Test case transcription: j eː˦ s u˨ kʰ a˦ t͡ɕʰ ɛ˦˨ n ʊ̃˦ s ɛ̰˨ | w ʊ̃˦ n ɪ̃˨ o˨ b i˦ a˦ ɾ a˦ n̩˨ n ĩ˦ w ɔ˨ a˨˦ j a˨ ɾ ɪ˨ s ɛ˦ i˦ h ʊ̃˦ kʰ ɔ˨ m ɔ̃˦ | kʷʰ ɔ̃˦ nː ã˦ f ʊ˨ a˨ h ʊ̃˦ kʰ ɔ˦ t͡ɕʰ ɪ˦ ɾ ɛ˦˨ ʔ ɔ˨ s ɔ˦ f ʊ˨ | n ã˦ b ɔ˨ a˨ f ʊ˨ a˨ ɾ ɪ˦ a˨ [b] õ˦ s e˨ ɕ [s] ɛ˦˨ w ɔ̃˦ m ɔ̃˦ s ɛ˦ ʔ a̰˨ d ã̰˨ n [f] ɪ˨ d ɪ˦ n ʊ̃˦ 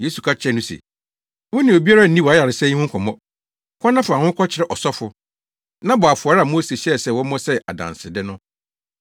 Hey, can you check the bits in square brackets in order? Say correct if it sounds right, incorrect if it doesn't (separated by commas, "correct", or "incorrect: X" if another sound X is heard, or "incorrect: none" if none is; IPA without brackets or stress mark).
incorrect: m, correct, incorrect: s